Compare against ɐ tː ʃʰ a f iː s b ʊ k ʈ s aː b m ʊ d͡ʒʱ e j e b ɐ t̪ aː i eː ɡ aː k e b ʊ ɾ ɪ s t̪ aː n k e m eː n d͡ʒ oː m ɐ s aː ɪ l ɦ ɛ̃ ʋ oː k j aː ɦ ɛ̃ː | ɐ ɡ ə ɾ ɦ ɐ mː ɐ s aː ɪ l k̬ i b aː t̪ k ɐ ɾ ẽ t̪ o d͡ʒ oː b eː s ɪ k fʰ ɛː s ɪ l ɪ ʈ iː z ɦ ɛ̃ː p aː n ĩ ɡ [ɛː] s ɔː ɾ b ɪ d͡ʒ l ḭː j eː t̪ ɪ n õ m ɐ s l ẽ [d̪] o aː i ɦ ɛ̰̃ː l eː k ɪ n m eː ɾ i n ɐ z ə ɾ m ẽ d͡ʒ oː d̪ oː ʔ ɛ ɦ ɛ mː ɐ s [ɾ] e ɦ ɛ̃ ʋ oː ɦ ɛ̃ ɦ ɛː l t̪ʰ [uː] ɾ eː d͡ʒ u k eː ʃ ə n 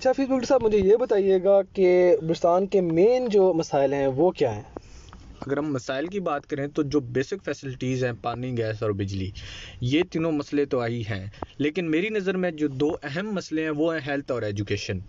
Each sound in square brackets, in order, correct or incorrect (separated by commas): correct, incorrect, incorrect, incorrect